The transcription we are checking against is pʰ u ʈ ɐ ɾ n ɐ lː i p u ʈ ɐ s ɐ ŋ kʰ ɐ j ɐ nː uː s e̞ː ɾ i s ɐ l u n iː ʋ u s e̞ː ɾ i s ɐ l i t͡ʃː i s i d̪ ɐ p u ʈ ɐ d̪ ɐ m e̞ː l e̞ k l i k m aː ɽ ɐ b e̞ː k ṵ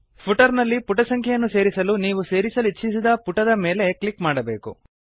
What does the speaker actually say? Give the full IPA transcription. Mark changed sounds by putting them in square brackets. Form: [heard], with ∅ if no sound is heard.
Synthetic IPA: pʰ u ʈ ɐ ɾ n ɐ lː i p u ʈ ɐ s ɐ ŋ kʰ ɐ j ɐ nː [u] s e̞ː ɾ i s ɐ l u n iː ʋ u s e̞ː ɾ i s ɐ l i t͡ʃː i s i d̪ ɐ p u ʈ ɐ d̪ ɐ m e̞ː l e̞ k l i k m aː ɽ ɐ b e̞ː k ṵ